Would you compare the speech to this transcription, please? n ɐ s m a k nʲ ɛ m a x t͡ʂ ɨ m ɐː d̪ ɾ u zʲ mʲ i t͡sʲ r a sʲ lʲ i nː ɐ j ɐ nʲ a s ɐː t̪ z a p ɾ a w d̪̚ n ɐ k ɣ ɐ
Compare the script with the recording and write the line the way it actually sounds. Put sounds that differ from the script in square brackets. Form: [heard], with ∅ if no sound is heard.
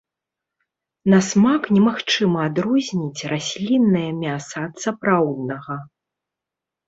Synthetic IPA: n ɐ s m a k nʲ ɛ m a x t͡ʂ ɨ m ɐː d̪ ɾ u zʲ [nʲ] i t͡sʲ r a sʲ lʲ i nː ɐ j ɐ [mʲ] a s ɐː t̪ [s] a p ɾ a w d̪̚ n ɐ [∅] ɣ ɐ